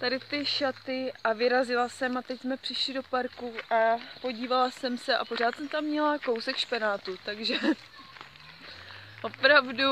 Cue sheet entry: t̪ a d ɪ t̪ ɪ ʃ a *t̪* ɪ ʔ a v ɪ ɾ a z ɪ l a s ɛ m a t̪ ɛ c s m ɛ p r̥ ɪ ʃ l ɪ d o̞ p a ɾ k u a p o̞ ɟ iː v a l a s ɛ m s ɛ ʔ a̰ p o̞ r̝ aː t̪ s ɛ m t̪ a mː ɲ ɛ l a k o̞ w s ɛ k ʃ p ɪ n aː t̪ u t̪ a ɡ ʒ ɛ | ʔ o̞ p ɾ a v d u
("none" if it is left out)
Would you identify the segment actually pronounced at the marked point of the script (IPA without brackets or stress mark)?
t̪